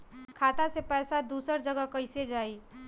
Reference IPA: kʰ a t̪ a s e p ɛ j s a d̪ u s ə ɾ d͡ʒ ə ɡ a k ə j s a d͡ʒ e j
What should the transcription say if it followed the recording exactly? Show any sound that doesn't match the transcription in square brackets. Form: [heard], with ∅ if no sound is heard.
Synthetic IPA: kʰ a t̪ a s e p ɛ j s a d̪ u s ə ɾ d͡ʒ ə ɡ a k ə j s [e] d͡ʒ [a] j